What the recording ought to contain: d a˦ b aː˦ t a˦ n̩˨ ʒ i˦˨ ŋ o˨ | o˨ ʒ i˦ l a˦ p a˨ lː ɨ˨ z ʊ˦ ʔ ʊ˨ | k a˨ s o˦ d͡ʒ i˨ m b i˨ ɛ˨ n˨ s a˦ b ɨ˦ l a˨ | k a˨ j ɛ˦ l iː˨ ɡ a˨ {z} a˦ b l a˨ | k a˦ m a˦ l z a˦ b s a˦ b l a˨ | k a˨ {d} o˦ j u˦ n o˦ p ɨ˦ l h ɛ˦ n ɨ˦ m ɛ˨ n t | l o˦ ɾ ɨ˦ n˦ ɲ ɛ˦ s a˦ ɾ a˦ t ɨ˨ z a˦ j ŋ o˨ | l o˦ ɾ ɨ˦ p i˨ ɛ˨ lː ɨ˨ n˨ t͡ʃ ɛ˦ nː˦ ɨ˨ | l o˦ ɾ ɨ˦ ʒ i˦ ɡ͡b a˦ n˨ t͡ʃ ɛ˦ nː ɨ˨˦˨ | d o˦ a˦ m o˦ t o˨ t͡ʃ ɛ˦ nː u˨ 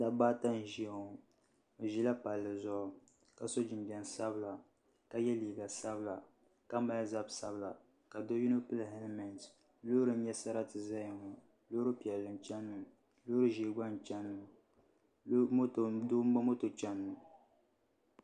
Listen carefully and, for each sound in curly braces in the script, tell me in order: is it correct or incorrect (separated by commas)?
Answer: incorrect, correct